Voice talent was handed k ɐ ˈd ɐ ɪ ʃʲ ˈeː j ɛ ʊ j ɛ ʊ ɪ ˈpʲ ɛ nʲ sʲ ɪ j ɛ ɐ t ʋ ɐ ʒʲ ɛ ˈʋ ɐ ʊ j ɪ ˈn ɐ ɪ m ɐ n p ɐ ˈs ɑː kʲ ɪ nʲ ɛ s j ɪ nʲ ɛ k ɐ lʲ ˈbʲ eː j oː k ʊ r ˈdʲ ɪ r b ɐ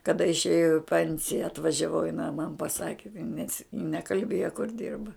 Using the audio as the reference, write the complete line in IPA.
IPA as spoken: k ɐ ˈd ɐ ɪ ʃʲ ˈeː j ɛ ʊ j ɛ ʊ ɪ ˈpʲ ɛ nʲ sʲ ɪ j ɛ ɐ t ʋ ɐ ʒʲ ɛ ˈʋ ɐ ʊ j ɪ ˈn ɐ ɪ m ɐ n p ɐ ˈs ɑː kʲ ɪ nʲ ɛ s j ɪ nʲ ɛ k ɐ lʲ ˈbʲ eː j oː k ʊ r ˈdʲ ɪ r b ɐ